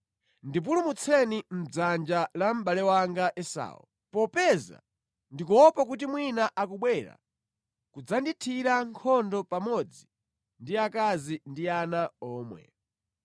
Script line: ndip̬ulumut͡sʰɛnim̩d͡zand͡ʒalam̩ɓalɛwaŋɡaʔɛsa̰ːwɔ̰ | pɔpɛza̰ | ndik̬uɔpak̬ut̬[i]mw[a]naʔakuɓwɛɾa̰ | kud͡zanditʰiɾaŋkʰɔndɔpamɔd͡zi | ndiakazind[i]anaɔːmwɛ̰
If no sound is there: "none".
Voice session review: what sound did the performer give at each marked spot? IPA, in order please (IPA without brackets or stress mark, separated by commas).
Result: i, i, i